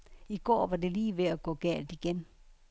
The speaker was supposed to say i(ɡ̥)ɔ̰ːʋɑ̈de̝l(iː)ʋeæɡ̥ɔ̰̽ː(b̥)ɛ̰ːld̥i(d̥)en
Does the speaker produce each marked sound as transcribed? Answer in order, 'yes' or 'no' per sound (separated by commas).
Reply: yes, yes, no, no